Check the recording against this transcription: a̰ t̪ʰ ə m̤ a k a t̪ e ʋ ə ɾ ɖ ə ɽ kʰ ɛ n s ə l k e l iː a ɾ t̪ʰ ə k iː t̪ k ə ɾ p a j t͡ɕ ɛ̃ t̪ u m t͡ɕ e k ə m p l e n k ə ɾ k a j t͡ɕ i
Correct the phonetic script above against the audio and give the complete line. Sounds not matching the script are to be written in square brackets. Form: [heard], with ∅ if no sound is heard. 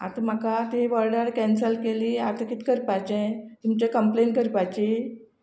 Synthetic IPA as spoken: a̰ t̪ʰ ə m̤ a k a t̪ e ʋ ə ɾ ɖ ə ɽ [k] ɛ n s ə l k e l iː a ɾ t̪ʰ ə k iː t̪ k ə ɾ p a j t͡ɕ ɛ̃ t̪ u m t͡ɕ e k ə m p l e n k ə ɾ [p] a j t͡ɕ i